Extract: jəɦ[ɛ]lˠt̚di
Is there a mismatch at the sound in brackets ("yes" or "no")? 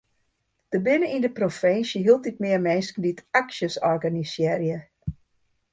yes